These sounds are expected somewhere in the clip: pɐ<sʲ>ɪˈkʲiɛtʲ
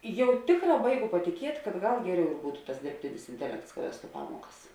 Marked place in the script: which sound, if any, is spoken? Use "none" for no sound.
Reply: tʲ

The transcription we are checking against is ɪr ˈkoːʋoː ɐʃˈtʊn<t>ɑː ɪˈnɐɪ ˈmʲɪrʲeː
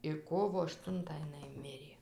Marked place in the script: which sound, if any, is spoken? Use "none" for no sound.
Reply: t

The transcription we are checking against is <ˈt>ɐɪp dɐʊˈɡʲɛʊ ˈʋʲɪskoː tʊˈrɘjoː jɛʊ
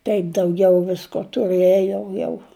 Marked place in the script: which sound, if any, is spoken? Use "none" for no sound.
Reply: t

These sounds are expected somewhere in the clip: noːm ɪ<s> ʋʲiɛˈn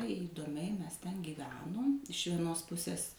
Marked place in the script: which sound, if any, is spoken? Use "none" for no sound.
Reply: ʃ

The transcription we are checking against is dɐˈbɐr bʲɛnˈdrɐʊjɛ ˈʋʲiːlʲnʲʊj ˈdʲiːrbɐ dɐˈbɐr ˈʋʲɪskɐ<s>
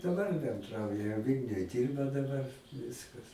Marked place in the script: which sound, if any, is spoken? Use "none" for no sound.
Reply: s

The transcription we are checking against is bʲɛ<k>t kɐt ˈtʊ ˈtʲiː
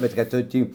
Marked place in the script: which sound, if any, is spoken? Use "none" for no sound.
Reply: none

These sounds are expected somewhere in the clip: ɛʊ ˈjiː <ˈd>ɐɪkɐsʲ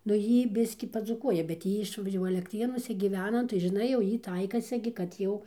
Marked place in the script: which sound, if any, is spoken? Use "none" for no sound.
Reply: t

